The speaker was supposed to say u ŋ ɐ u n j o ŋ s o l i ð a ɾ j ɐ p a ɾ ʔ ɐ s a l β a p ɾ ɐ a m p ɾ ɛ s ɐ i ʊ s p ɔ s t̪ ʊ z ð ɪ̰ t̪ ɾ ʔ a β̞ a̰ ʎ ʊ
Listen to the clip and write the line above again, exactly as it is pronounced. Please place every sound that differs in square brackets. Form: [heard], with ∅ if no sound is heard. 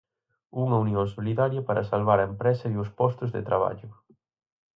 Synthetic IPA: u ŋ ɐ u n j o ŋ s o l i ð a ɾ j ɐ p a ɾ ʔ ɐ s a l β a [∅] ɾ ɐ [e] m p ɾ ɛ s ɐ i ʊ s p ɔ s t̪ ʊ z ð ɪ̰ t̪ ɾ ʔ a β̞ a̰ ʎ ʊ